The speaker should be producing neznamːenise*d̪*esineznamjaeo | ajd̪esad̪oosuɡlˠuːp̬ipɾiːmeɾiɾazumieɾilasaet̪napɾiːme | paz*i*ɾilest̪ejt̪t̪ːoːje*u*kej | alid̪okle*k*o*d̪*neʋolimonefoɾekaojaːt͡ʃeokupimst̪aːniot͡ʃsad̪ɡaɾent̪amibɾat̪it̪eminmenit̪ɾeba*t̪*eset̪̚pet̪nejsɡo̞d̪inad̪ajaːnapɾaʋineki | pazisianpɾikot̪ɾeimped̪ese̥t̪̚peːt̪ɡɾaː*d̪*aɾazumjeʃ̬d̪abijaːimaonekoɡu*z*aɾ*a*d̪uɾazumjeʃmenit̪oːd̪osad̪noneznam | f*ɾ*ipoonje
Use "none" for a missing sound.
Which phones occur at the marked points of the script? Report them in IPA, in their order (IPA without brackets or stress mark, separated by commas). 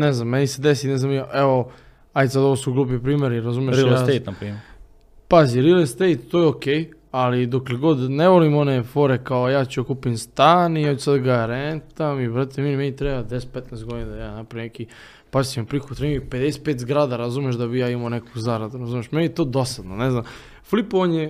d̪, i, o, ɡ, d̪, d̪, d̪, z, a, l